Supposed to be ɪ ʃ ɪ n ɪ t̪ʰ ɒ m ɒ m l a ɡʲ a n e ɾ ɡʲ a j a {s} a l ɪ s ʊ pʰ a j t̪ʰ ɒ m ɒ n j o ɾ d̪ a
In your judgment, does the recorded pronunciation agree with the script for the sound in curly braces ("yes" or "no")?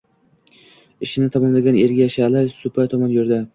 no